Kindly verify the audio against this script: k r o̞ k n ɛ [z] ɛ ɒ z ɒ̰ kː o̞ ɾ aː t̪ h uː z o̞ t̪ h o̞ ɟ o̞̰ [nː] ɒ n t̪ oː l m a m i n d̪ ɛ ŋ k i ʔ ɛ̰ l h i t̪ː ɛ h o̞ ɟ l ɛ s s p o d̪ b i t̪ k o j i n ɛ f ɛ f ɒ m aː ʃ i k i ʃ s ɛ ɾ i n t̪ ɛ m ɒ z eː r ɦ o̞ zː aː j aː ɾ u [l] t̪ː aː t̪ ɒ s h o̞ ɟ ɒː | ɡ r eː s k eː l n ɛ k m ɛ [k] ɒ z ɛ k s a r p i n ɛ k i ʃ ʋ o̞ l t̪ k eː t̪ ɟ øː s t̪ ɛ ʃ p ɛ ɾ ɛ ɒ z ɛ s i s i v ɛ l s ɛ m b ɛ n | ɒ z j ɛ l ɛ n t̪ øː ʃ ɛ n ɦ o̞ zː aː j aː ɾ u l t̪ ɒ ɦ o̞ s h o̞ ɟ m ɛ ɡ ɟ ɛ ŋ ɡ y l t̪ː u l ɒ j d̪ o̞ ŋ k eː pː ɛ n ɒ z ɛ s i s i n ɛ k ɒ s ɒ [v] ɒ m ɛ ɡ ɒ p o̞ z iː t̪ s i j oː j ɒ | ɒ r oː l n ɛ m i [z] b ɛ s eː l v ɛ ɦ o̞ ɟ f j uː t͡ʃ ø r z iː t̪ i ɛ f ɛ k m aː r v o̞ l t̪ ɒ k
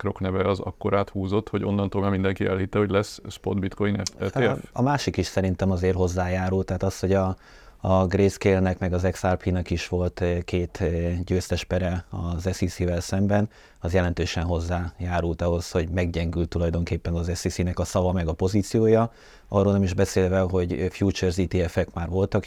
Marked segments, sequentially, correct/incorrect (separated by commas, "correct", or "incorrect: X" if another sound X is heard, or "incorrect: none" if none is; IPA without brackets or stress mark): incorrect: v, correct, correct, incorrect: ɡ, correct, incorrect: ʒ